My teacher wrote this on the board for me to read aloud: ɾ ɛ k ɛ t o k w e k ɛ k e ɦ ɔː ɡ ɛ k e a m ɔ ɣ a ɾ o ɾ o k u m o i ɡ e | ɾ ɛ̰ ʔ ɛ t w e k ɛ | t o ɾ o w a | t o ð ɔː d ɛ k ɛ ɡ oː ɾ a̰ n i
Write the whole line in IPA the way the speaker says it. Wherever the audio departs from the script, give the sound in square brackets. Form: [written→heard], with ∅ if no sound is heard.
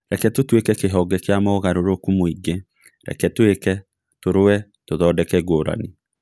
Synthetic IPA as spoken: ɾ ɛ k ɛ t o [k→t] w e k ɛ k e ɦ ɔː ɡ ɛ k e a m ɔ ɣ a ɾ o ɾ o k u m o i ɡ e | ɾ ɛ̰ [ʔ→k] ɛ t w e k ɛ | t o ɾ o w [a→ɛ] | t o ð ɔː d ɛ k ɛ ɡ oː ɾ a̰ n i